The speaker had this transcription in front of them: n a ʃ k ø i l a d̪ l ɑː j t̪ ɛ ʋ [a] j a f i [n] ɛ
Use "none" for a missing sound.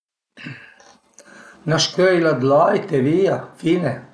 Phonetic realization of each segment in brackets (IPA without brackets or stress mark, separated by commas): i, n